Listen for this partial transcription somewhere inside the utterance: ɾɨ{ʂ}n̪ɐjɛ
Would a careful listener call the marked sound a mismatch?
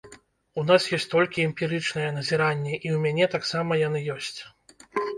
yes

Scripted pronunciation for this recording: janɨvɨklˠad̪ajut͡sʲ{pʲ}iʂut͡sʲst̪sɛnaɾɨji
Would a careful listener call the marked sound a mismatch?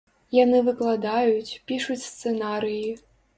no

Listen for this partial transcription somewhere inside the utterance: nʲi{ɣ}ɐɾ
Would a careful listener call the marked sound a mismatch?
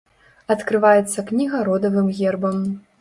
no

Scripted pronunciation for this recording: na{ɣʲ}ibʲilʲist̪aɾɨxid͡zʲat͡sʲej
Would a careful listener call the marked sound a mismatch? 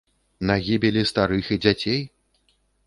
no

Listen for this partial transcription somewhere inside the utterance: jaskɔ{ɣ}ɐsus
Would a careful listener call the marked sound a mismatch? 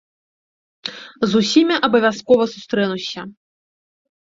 yes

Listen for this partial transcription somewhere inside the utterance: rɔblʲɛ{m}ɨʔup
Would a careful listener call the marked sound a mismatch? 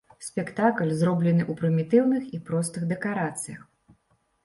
yes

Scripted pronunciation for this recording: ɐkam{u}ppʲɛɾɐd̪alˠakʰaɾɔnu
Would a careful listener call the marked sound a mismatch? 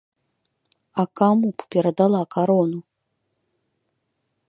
no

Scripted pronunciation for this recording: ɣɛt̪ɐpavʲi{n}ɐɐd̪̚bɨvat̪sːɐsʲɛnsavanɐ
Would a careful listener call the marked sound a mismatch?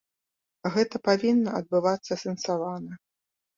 yes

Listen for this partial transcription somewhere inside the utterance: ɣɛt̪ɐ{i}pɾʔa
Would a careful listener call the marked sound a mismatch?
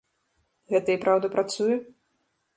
no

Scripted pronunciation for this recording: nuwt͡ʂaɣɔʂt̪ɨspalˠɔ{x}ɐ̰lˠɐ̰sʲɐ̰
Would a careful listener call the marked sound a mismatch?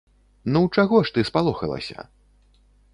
no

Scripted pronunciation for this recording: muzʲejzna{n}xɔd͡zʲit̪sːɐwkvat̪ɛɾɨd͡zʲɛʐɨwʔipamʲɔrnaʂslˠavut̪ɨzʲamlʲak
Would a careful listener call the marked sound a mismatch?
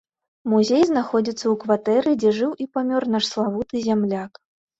yes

